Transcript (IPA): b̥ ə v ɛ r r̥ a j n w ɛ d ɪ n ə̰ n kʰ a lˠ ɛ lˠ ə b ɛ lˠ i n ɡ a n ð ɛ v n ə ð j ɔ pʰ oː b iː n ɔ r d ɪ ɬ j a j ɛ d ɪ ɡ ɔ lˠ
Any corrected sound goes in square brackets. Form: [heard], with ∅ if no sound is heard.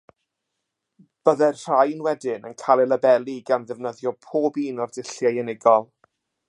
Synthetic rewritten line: b̥ ə [ð] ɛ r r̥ a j n w ɛ d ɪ n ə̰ n kʰ a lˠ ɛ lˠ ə b ɛ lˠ i [∅] ɡ a n ð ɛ v n ə ð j ɔ pʰ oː b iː n ɔ r d ɪ ɬ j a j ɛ [n] ɪ ɡ ɔ lˠ